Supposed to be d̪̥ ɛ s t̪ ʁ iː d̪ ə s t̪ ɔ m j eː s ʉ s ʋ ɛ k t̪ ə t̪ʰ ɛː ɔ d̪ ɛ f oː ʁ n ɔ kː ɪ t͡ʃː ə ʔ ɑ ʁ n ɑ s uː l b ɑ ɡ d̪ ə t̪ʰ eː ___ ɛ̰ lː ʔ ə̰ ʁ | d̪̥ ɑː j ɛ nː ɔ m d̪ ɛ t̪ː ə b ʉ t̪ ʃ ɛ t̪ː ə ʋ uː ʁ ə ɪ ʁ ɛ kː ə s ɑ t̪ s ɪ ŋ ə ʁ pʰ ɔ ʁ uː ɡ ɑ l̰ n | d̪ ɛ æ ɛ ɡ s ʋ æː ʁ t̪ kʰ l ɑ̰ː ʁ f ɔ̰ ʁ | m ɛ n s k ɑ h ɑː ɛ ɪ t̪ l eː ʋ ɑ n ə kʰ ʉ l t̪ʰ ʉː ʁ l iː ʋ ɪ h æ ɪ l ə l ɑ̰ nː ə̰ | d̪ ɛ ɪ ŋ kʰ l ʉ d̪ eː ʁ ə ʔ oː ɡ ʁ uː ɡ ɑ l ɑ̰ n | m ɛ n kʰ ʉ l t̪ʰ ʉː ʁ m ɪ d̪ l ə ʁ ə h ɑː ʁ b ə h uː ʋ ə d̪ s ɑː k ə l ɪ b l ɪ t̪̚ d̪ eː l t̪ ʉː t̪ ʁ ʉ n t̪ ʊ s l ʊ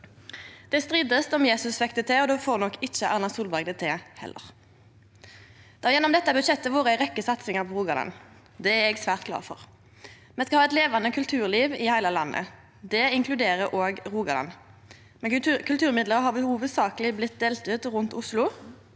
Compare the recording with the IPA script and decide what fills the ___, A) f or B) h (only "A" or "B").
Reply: B